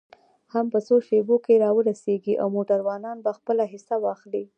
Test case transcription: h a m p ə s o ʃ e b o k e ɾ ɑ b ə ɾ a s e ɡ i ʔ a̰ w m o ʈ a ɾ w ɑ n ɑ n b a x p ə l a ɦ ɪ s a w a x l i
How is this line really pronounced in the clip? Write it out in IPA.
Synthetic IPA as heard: h a m p ə s o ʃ e b o k e ɾ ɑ w ə ɾ a s e ɡ i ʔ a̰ w m o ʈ a ɾ w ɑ n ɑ n b a x p ə l a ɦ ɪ s a w ɑ x l i